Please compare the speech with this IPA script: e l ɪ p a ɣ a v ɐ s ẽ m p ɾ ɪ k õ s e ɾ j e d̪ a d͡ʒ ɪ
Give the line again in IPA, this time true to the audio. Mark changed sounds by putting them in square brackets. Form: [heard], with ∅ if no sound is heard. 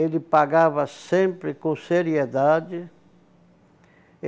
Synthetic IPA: e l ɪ p a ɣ a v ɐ s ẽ m p ɾ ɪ k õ s e ɾ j e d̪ a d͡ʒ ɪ